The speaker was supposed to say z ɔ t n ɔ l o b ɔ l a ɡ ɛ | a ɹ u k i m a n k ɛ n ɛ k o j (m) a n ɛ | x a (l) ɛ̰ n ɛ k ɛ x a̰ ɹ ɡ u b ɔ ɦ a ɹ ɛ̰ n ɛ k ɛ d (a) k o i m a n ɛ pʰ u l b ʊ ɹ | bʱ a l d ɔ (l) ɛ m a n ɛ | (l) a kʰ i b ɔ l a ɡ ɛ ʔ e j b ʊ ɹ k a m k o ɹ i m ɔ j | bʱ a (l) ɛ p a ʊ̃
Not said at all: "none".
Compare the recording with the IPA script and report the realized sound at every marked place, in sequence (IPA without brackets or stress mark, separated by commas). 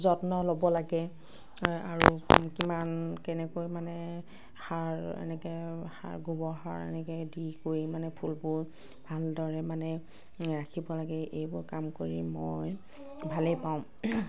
m, ɹ, i, ɹ, ɹ, l